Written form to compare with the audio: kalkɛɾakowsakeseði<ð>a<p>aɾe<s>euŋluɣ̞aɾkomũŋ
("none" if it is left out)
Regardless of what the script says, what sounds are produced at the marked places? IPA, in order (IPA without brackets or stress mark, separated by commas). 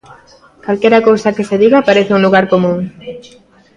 ɣ, p, θ